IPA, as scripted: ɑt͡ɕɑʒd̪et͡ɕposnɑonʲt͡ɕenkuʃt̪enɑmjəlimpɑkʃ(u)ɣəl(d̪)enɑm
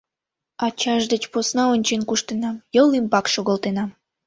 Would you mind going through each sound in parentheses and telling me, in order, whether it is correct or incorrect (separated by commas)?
incorrect, incorrect